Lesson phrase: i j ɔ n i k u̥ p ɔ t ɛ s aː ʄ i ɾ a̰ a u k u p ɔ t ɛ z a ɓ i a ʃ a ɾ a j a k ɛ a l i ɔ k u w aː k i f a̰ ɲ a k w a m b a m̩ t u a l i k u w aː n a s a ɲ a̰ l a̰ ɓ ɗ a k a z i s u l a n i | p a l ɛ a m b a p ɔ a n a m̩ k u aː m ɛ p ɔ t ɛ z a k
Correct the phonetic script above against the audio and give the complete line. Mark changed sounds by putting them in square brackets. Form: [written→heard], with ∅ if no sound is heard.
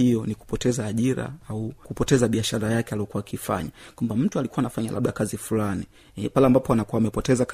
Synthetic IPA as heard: i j ɔ n i k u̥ p ɔ t ɛ [s→z] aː ʄ i ɾ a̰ a u k u p ɔ t ɛ z a ɓ i a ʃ a ɾ a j a k ɛ a l i ɔ k u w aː k i f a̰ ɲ a k w a m b a m̩ t u a l i k u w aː n a [s→f] a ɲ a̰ l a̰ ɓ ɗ a k a z i [s→f] u l a n i | p a l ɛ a m b a p ɔ a n a [m̩→∅] k u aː m ɛ p ɔ t ɛ z a k